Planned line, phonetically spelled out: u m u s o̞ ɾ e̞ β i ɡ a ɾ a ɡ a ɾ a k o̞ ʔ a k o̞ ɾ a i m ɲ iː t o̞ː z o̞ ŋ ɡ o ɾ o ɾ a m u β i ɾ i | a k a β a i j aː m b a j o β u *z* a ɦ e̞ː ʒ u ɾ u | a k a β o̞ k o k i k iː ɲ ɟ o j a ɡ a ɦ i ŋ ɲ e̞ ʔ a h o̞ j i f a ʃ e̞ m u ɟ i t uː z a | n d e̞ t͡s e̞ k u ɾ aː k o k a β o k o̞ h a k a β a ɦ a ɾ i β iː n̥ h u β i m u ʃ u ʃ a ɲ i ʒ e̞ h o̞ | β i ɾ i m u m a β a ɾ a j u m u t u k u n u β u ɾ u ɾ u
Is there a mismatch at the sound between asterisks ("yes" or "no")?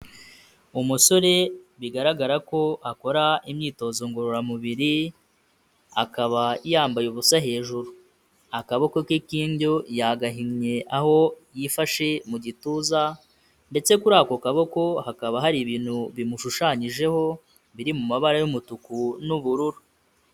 yes